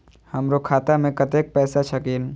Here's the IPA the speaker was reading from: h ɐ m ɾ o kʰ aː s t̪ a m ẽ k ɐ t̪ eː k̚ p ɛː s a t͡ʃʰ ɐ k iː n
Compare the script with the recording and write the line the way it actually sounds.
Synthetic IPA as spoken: h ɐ m ɾ o kʰ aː t̪ a m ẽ k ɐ t̪ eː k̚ p ɛː s a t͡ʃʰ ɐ k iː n